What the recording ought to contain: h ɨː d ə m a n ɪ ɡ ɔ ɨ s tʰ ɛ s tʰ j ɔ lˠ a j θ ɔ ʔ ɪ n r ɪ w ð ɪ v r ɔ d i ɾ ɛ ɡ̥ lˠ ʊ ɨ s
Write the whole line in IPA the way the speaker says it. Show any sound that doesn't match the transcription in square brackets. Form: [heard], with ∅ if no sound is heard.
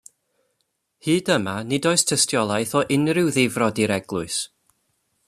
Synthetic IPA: h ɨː d ə m a n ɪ [d] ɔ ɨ s tʰ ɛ s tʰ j ɔ lˠ a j θ ɔ ʔ ɪ n r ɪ w ð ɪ v r ɔ d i ɾ ɛ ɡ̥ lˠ ʊ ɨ s

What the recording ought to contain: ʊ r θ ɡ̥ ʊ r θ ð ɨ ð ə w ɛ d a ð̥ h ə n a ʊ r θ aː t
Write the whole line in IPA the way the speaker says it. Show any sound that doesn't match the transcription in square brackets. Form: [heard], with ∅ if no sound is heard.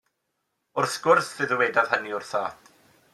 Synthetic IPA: ʊ r θ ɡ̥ ʊ r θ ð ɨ ð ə w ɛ d a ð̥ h ə n [i] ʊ r θ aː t

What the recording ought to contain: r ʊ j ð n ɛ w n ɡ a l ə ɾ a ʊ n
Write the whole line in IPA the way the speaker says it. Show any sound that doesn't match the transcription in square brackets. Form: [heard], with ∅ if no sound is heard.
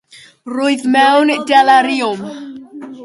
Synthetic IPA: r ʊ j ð [m] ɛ w n [d] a l [a] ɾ [i] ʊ [m]

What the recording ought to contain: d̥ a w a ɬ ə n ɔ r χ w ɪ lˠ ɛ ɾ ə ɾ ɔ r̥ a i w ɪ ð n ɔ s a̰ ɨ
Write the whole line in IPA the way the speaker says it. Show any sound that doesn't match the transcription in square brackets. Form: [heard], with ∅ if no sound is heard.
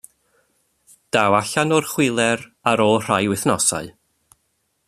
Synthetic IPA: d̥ a w a ɬ [a] n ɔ r χ w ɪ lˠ ɛ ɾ [a] ɾ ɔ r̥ a [j] w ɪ [θ] n ɔ s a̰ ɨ

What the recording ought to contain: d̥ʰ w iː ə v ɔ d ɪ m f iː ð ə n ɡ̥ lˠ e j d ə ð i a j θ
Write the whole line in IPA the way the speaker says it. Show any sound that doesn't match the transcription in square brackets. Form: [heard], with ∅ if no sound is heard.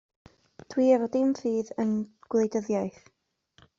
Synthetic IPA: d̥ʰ w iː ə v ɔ d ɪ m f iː ð ə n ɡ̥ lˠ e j d ə ð [j] a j θ

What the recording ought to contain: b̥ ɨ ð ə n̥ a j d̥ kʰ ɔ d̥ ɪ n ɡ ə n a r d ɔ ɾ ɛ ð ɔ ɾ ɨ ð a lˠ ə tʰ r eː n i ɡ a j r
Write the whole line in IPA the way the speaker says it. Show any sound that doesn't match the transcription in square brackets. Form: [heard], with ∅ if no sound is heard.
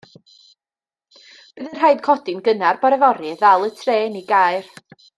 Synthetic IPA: b̥ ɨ ð ə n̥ a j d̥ kʰ ɔ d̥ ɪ n ɡ ə n a r [b] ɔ ɾ ɛ [v] ɔ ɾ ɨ ð a lˠ ə tʰ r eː n i ɡ a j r

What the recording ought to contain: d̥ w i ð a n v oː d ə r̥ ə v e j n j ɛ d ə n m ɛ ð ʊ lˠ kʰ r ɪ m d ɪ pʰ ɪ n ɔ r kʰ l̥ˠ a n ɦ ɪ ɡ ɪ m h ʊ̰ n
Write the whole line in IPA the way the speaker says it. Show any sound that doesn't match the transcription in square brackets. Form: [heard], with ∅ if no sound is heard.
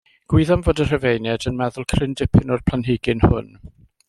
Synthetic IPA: [ɡ̥] w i ð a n v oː d ə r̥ ə v e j n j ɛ d ə n m ɛ ð ʊ lˠ kʰ r ɪ [n] d ɪ pʰ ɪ n ɔ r [pʰ] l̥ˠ a n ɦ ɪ ɡ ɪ [n] h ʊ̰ n

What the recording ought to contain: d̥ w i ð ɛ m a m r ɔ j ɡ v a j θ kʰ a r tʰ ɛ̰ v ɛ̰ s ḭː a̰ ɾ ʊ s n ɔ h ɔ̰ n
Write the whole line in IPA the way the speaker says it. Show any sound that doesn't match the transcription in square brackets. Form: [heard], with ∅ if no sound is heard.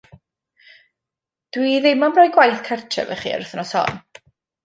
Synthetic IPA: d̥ w i ð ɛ m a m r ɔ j ɡ [w] a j θ kʰ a r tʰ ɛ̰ v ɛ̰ [χ] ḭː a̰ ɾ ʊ [θ] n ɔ [s] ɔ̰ n

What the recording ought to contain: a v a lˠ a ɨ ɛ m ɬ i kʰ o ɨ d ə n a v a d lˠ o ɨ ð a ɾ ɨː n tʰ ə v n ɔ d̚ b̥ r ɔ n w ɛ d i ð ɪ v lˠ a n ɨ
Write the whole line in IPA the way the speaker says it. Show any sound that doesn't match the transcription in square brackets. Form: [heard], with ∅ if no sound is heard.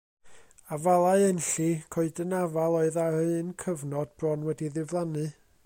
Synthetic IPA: a v a lˠ a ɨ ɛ [n] ɬ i kʰ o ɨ d ə n a v a [∅] lˠ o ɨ ð a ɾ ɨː n [kʰ] ə v n ɔ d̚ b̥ r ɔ n w ɛ d i ð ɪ v lˠ a n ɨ

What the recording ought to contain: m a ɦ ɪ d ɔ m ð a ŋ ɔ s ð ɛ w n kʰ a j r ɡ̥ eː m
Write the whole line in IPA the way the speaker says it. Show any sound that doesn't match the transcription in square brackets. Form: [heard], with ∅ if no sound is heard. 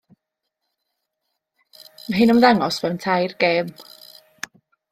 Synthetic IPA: m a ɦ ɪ [n] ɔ m ð a ŋ ɔ s [v] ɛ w n [tʰ] a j r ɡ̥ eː m

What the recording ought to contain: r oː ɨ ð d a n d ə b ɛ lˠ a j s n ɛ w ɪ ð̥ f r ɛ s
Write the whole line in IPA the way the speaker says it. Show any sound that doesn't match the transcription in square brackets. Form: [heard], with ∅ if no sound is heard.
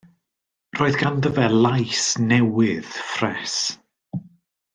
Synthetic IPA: r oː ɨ ð [ɡ] a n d ə [v] ɛ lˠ a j s n ɛ w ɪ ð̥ f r ɛ s

